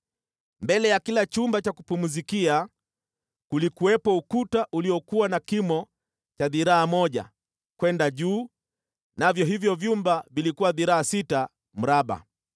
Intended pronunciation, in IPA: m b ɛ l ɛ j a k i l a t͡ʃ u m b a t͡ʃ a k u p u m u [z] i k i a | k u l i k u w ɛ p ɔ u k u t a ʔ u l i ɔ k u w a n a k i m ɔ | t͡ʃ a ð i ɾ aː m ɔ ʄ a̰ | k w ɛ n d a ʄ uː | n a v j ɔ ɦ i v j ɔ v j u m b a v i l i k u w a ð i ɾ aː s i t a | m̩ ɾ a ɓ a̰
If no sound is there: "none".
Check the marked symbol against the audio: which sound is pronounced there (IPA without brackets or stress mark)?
z